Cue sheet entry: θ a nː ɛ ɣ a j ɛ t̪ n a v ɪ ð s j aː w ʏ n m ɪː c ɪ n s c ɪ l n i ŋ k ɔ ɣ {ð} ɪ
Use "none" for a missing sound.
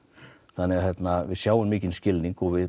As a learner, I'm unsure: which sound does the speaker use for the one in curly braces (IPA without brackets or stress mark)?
v